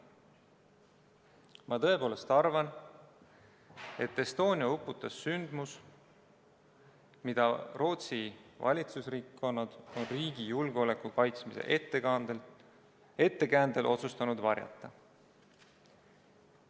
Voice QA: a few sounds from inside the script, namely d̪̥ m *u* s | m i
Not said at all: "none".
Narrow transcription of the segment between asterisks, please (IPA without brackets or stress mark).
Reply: u